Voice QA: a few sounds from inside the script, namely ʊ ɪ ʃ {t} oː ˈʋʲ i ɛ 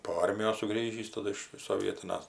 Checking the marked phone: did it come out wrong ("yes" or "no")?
yes